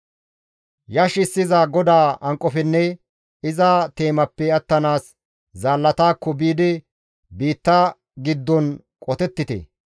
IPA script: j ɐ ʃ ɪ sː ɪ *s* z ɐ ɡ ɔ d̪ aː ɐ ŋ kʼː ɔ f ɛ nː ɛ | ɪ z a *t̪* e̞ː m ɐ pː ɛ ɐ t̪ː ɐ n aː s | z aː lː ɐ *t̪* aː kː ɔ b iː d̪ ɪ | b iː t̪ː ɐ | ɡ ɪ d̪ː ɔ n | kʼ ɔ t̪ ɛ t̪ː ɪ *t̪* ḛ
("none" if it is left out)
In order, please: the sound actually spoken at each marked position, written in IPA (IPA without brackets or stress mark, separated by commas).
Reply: none, t̪, t̪, t̪